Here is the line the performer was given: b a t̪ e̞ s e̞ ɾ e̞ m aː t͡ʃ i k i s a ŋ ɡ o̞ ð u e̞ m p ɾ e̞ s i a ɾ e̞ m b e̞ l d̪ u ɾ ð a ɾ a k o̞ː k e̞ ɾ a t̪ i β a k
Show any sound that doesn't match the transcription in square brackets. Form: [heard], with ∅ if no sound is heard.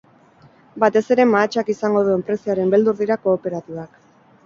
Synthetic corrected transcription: b a t̪ e̞ s e̞ ɾ e̞ m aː t͡ʃ [a] k i s a ŋ ɡ o̞ ð u e̞ m p ɾ e̞ s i a ɾ e̞ m b e̞ l d̪ u ɾ ð [i] ɾ a k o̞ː [p] e̞ ɾ a t̪ i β a k